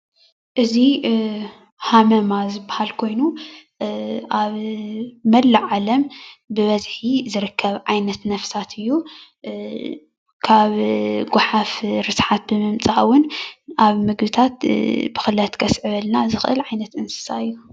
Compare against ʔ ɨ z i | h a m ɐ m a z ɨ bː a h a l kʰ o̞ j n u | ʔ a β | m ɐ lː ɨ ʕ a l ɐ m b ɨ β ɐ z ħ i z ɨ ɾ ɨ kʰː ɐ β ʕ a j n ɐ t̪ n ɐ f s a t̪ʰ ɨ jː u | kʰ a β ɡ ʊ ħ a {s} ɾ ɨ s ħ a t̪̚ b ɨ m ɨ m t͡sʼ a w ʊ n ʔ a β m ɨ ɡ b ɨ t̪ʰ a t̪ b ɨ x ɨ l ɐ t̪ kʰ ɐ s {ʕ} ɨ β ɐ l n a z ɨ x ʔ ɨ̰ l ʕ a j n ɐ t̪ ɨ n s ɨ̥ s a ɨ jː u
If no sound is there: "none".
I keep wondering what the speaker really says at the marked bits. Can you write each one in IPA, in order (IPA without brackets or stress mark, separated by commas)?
f, ʕ